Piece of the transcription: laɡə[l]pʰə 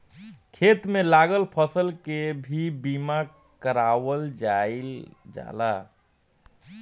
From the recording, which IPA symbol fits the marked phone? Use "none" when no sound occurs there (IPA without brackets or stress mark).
l